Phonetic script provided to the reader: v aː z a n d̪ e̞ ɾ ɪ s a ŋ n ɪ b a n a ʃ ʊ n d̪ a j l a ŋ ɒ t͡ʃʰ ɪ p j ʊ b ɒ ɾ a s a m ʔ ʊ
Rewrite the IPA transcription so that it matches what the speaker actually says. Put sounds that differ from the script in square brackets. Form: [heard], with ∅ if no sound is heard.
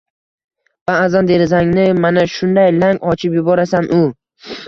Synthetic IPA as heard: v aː z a n d̪ e̞ ɾ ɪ [z] a ŋ n ɪ [m] a n a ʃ ʊ n d̪ a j l a ŋ ɒ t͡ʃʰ ɪ p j ʊ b ɒ ɾ a s a [n] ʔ ʊ